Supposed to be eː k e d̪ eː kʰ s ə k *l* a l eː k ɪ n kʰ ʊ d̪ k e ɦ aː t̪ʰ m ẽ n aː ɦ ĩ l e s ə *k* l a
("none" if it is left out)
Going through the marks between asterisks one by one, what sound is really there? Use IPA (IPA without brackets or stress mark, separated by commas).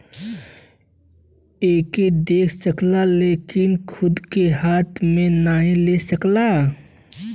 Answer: l, k